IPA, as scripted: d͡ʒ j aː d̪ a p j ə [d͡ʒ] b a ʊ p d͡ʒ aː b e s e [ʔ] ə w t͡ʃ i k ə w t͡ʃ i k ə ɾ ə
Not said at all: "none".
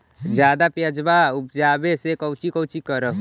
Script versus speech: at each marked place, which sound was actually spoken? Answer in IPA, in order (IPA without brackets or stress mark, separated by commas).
d͡ʒ, k